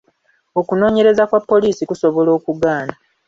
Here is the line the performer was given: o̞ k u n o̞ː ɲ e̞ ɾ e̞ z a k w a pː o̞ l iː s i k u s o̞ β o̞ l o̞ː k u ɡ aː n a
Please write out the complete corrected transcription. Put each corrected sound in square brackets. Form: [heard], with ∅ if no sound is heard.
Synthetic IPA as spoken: o̞ k u n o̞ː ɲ e̞ ɾ e̞ z a k w a pː o̞ l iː s i k u s o̞ β o̞ l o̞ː k u ɡ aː n a

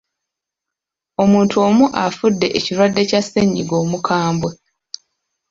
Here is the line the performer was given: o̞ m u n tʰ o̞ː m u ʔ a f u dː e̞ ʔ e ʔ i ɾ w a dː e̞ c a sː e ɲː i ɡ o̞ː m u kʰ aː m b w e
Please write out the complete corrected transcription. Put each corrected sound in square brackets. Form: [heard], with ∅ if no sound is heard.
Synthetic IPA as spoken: o̞ m [uː] n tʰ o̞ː m u ʔ a f u dː e̞ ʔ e [c] i ɾ w a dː e̞ c a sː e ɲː i ɡ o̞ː m u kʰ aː m b w e

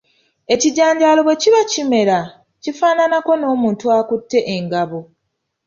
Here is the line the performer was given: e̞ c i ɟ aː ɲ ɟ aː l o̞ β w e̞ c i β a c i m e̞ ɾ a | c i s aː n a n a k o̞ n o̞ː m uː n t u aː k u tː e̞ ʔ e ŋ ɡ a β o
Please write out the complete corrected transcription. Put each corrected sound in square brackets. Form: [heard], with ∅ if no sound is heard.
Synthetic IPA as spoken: e̞ c i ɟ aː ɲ ɟ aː l o̞ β w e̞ c i β a c i m e̞ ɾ a | c i [f] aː n a n a k o̞ n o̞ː m uː n t u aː k u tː e̞ ʔ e ŋ ɡ a β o

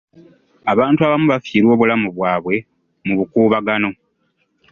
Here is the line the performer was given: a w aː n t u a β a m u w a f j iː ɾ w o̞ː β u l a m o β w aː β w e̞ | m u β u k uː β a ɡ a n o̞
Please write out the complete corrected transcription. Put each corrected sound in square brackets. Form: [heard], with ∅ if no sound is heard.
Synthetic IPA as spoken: a [β] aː n t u a β a m u [β] a f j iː ɾ w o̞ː β u l a m [u] β w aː β w e̞ | m u β u k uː β a ɡ a n o̞

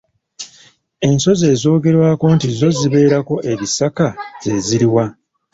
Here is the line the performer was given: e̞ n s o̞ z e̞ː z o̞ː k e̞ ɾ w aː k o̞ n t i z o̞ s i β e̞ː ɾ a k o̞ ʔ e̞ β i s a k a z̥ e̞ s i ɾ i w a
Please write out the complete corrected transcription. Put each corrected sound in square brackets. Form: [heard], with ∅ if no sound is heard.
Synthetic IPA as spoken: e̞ n s o̞ z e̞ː z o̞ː [ɡ] e̞ ɾ w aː k o̞ n t i z o̞ [z] i β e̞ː ɾ a k o̞ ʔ e̞ β i s a k a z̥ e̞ [z] i ɾ i w a

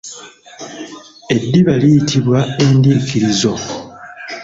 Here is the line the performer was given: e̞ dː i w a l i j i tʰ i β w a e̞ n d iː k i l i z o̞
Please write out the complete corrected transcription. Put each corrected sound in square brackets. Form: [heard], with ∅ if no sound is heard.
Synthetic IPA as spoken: e̞ dː i [β] a l i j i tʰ i β w a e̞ n d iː k i [ɾ] i z o̞

